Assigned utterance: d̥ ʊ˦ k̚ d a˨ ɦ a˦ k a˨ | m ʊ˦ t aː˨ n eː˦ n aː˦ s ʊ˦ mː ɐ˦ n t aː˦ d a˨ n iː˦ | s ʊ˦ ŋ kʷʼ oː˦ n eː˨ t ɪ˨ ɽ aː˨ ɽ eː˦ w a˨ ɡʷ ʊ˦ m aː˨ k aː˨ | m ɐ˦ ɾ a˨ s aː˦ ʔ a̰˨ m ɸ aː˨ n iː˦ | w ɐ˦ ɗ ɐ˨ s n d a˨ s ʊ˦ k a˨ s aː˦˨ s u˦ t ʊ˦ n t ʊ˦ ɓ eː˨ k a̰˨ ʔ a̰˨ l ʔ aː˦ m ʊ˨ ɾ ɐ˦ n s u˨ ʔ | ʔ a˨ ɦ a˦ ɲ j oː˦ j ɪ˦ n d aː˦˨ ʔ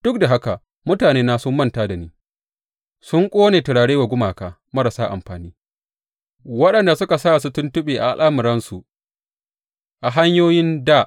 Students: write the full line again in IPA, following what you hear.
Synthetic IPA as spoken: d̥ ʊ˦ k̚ d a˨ ɦ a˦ k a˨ | m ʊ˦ t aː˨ n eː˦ n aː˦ s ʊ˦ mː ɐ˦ n t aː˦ d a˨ n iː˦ | s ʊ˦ ŋ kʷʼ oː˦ n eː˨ t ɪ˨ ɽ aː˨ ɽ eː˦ w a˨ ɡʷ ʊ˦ m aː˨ k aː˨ | m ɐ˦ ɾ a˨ s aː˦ ʔ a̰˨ m ɸ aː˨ n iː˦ | w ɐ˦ ɗ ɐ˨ n d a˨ s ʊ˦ k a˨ s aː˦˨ s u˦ t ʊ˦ n t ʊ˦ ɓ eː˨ ʔ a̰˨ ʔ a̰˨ l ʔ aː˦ m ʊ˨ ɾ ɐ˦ n s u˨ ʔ | ʔ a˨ ɦ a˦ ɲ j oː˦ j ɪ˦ n d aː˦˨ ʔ